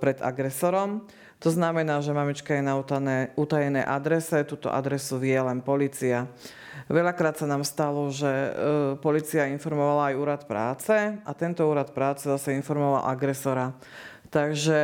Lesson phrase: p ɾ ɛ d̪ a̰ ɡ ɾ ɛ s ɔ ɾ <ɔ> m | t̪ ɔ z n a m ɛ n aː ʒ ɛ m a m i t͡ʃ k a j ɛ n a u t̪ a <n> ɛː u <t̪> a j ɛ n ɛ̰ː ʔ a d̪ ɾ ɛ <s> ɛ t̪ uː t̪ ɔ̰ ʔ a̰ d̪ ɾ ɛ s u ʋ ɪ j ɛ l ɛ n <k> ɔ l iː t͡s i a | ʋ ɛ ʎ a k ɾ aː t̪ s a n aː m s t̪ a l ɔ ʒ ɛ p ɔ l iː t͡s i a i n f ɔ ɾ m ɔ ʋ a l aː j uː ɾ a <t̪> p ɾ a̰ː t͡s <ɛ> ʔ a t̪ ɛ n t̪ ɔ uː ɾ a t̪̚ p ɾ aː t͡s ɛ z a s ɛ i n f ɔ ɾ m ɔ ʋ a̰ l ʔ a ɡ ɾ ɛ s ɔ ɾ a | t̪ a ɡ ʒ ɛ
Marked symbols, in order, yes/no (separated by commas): yes, yes, yes, yes, no, yes, yes